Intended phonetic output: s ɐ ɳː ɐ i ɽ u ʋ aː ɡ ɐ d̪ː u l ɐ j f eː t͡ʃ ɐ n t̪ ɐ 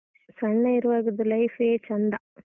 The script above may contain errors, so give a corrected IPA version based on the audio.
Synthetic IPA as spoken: s ɐ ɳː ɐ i ɾ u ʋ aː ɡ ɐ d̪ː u l ɐ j f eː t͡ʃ ɐ n d̪ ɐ